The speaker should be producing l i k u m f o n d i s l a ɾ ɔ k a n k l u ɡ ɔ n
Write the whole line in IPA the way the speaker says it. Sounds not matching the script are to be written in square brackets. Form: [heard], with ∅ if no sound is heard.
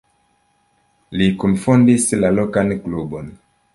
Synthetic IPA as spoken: l i k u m f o n d i s l a [l] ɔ k a n k l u [b] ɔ n